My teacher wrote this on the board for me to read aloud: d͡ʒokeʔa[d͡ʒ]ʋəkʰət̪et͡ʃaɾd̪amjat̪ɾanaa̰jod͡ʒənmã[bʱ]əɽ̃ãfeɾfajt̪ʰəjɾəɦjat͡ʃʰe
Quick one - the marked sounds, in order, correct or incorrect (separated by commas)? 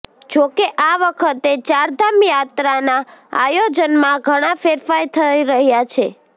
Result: incorrect, incorrect